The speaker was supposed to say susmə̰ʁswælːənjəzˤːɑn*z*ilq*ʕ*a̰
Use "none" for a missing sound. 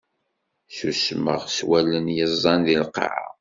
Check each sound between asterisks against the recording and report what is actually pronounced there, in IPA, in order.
ð, ʕ

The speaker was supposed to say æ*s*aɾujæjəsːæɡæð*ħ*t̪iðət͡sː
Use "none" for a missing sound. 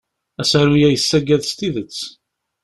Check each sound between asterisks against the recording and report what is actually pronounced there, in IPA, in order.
s, s

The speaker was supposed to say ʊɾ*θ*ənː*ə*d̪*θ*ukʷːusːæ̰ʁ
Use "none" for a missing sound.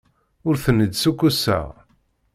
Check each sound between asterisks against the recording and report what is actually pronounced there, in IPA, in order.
θ, ə, s

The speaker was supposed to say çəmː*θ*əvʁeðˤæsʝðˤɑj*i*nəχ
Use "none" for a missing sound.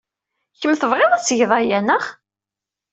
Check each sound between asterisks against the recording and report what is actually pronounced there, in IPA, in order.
θ, æ

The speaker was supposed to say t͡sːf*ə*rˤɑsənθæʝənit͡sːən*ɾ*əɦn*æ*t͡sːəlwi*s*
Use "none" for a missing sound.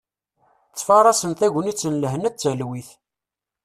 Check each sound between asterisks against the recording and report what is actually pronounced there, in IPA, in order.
ɑ, l, æ, θ

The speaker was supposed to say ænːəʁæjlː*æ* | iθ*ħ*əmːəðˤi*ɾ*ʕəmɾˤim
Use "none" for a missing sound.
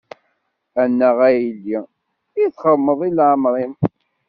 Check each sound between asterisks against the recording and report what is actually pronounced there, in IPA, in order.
i, χ, l

